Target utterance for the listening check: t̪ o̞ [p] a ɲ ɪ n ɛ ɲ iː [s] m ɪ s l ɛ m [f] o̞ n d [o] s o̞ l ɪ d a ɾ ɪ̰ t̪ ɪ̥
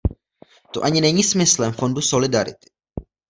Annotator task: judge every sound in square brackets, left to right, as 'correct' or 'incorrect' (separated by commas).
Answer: incorrect, correct, correct, incorrect